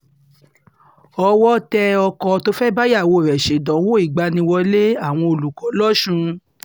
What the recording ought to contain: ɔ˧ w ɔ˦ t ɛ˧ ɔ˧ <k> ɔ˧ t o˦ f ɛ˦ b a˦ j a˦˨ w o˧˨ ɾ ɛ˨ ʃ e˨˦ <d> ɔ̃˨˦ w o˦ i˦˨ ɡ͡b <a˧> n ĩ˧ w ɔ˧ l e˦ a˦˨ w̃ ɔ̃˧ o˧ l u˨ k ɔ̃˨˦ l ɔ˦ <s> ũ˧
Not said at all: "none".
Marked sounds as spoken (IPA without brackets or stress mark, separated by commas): k, d, a˧, ʃ